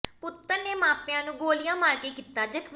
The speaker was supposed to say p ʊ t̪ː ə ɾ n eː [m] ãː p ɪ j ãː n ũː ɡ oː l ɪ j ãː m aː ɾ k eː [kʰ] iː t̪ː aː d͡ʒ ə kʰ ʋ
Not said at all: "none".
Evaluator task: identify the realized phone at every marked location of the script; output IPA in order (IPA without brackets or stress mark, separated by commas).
m, k